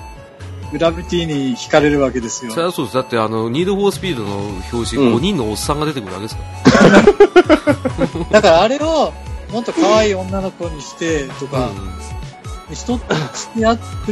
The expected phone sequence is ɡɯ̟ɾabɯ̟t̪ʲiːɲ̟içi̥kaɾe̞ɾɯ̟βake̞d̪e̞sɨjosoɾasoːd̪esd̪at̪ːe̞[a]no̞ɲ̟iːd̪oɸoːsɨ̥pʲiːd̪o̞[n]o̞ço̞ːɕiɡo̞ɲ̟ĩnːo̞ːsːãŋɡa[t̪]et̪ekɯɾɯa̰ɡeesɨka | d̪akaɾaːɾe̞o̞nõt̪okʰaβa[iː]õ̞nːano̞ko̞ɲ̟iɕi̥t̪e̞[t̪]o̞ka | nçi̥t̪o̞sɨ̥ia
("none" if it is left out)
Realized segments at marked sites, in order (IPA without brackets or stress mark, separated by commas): a, n, d̪, iː, t̪